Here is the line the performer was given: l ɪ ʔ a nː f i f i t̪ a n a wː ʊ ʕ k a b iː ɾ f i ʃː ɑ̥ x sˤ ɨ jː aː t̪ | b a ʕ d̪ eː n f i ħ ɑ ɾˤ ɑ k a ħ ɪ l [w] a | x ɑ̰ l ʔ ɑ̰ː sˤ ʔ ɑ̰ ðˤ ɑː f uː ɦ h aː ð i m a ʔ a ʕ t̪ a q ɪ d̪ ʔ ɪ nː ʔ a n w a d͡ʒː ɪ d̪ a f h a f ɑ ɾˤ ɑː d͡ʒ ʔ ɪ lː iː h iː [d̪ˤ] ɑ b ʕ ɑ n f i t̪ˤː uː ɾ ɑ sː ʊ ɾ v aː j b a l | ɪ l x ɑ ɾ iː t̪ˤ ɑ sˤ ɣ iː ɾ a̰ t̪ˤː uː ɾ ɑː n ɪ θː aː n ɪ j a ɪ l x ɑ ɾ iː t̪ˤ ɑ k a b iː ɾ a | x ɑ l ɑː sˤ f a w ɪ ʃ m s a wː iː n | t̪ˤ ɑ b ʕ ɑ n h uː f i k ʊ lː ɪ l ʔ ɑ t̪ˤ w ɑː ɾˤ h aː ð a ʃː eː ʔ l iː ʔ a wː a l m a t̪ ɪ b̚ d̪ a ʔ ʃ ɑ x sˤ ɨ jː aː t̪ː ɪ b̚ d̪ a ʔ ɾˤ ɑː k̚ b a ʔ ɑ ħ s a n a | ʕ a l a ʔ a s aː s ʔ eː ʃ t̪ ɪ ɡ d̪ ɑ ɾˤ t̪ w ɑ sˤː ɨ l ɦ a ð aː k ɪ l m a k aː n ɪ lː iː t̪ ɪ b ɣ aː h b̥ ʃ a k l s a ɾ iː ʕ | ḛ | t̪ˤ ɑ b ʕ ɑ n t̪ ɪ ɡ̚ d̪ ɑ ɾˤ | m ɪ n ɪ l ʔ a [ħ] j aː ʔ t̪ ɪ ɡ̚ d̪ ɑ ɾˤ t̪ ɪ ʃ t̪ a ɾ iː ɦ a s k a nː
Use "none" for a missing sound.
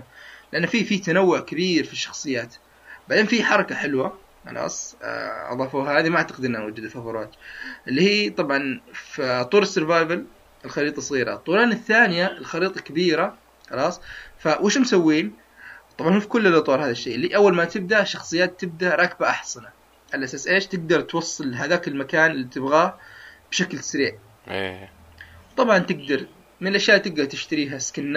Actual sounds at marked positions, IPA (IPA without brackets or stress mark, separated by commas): w, t̪ˤ, ʃ